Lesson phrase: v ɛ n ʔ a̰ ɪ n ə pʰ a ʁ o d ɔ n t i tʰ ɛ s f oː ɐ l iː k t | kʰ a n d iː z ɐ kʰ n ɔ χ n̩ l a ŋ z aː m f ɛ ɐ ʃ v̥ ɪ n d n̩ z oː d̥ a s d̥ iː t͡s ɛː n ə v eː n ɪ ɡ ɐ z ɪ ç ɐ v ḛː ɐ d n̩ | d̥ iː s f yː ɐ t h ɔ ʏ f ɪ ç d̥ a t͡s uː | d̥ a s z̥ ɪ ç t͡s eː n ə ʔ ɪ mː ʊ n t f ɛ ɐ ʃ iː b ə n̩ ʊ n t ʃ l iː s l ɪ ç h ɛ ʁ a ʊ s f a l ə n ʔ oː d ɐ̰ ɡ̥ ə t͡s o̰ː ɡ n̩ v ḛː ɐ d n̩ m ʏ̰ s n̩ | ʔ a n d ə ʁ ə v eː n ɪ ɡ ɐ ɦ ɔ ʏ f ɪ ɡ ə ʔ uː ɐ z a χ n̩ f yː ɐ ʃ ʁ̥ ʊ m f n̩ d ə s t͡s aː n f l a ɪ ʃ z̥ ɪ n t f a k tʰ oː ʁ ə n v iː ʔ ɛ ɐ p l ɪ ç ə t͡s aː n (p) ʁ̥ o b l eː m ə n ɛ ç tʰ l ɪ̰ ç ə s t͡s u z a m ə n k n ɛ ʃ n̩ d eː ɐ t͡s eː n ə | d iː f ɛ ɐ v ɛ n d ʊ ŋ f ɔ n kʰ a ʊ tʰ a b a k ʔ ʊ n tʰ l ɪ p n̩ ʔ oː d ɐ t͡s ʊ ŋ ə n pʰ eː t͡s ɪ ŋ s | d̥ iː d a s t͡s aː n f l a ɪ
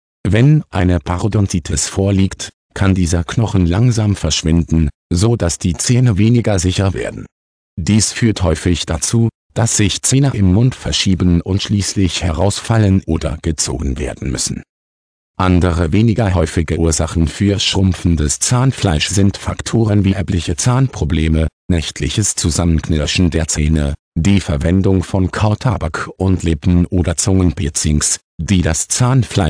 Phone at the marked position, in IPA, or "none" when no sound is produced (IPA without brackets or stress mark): p